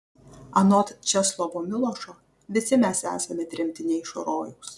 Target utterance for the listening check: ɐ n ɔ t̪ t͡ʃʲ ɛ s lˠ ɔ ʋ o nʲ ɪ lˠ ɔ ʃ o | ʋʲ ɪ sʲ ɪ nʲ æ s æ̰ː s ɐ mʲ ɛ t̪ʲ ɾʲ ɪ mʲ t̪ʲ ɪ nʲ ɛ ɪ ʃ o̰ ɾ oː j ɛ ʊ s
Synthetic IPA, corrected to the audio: ɐ n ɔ t̪ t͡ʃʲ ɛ s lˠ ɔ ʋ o mʲ ɪ lˠ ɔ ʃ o | ʋʲ ɪ sʲ ɪ mʲ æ s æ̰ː s ɐ mʲ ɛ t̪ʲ ɾʲ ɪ mʲ t̪ʲ ɪ nʲ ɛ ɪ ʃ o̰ ɾ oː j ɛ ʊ s